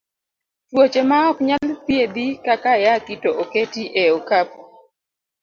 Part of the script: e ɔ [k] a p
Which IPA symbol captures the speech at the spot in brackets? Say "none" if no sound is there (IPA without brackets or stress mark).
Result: k